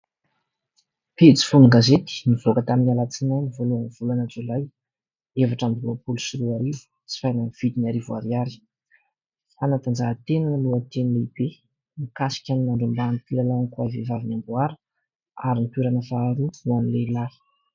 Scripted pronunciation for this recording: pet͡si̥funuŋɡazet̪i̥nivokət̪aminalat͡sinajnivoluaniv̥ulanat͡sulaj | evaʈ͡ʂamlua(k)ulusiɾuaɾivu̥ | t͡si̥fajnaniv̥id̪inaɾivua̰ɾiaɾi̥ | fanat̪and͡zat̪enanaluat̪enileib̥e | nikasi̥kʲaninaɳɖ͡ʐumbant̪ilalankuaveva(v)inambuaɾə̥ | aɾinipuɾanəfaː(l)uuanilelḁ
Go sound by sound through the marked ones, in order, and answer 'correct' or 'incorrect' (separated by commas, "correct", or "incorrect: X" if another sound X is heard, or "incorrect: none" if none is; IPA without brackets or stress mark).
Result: incorrect: p, correct, incorrect: ɾ